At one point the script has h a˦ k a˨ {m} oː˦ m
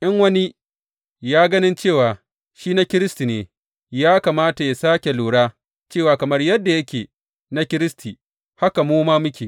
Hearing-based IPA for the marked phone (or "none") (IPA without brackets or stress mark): m